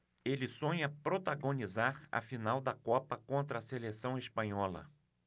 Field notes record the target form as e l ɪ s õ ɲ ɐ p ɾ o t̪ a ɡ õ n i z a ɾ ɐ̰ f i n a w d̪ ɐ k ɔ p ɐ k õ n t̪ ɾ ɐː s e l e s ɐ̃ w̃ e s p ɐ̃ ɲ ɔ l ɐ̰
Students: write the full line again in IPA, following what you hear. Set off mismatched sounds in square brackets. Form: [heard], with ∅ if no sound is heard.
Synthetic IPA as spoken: e l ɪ s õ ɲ ɐ p ɾ o t̪ a ɡ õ n i z a ɾ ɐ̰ f i n a w d̪ ɐ k ɔ p ɐ k õ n t̪ ɾ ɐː s e l e s ɐ̃ w̃ e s p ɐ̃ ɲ ɔ l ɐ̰